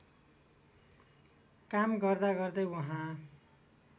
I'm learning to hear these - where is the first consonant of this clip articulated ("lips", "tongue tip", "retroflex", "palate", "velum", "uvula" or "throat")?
velum